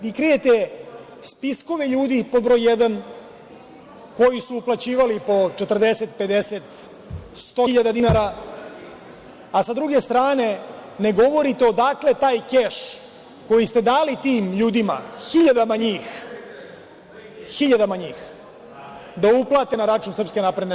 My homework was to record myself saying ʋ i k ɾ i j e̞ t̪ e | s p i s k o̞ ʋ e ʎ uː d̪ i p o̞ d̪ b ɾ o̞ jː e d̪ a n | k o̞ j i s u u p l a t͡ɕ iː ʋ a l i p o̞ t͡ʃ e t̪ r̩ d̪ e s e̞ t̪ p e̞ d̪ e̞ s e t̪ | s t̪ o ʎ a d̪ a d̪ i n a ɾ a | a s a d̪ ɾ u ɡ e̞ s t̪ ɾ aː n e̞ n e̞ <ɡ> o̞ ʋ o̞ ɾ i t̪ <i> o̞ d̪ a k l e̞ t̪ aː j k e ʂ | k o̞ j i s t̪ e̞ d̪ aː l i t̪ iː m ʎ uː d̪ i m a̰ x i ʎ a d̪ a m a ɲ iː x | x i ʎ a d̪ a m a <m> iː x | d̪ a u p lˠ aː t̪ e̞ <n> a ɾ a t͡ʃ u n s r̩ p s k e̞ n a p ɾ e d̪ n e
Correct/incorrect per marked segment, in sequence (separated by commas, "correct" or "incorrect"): correct, incorrect, incorrect, correct